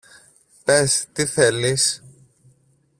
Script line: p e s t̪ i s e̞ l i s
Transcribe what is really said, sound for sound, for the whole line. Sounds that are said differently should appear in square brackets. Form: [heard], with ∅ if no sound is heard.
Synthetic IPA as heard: p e s t̪ i [θ] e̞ l i s